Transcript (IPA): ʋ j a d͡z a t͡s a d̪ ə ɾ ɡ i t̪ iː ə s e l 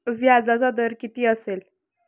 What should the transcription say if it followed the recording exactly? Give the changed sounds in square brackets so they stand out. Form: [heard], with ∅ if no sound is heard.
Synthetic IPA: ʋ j a d͡z a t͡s a d̪ ə ɾ [k] i t̪ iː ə s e l